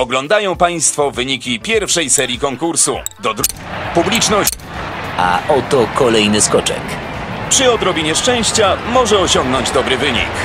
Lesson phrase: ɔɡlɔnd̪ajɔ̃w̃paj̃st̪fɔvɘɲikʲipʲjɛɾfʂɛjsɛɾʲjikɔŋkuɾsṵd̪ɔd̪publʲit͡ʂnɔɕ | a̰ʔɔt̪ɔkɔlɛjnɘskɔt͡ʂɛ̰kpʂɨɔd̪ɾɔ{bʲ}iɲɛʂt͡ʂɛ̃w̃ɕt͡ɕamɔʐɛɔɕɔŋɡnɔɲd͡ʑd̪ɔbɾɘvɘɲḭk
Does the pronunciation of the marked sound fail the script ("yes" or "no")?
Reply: no